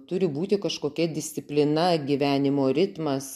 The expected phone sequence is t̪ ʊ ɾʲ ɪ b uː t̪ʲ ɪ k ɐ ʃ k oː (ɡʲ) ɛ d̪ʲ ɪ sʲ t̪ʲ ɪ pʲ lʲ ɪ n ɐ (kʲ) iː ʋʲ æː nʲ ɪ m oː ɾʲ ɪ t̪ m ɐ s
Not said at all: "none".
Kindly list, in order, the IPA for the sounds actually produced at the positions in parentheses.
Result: kʲ, ɡʲ

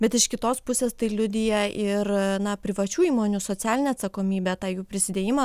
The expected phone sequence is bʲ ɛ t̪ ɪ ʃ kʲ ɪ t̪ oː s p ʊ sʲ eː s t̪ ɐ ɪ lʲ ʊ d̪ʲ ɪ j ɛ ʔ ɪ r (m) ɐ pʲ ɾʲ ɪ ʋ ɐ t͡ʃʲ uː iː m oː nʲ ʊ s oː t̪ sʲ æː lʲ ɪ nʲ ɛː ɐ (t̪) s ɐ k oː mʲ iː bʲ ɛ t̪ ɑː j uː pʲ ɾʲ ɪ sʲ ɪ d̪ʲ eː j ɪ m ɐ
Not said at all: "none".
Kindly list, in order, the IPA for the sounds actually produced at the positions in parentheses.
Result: n, t̪

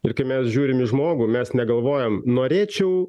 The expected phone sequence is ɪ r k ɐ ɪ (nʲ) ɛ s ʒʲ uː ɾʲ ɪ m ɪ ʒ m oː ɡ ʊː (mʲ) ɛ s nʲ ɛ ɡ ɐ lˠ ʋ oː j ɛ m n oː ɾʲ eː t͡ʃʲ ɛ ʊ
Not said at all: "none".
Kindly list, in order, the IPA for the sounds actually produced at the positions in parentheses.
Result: mʲ, mʲ

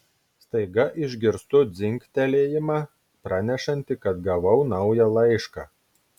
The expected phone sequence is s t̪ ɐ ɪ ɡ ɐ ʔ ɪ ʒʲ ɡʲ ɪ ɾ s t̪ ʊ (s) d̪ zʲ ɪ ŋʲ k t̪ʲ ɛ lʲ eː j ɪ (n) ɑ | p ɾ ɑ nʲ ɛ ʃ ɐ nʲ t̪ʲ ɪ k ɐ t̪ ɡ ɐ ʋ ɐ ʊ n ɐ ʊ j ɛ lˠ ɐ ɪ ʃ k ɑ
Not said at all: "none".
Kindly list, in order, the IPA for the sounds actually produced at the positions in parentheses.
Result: none, m

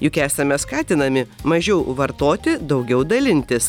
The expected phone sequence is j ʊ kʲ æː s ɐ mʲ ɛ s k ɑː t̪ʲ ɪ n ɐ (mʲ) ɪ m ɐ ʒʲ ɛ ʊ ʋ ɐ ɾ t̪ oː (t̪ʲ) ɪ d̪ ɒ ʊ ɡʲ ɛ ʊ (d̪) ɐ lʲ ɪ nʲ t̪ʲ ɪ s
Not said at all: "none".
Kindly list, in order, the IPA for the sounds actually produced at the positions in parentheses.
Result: mʲ, t̪ʲ, d̪

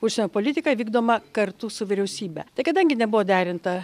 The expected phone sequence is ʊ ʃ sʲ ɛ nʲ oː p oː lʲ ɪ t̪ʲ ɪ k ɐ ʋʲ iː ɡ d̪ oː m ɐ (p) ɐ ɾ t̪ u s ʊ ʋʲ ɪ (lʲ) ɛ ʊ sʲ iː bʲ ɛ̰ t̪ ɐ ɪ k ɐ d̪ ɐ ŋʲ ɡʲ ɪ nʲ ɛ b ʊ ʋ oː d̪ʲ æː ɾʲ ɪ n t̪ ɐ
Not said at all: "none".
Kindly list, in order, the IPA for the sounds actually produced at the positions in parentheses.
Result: k, ɾʲ

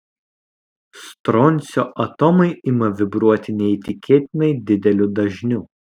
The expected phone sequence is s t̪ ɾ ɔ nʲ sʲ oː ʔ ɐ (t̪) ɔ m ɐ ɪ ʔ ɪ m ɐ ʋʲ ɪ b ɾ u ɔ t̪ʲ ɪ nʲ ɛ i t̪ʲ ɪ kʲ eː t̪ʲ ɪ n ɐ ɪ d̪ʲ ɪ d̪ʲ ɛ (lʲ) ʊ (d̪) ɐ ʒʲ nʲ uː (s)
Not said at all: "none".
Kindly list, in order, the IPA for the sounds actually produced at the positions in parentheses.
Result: t̪, lʲ, d̪, none

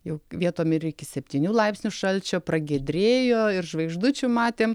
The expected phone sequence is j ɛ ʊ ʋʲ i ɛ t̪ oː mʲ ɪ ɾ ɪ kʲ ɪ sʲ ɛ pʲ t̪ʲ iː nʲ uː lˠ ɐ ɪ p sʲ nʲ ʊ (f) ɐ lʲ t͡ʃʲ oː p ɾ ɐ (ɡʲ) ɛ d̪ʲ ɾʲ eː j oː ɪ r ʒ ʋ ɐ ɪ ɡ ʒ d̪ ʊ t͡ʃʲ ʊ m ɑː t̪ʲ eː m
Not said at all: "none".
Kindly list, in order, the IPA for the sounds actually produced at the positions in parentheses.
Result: ʃ, ɡʲ

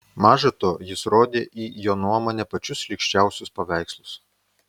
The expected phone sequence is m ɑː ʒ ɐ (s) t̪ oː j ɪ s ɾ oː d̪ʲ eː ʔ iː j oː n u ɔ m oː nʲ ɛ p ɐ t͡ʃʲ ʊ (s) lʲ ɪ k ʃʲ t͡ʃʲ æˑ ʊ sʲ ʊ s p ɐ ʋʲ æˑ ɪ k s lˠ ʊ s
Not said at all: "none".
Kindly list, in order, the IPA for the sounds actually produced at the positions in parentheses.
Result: none, s

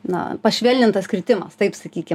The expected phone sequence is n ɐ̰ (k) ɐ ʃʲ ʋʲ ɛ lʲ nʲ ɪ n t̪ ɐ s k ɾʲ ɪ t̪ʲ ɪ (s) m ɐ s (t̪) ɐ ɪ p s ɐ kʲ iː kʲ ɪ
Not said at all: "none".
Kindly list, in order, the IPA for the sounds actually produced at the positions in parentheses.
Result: p, none, t̪

